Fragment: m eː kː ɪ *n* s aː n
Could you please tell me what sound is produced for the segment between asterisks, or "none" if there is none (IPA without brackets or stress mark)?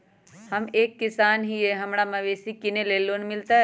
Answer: none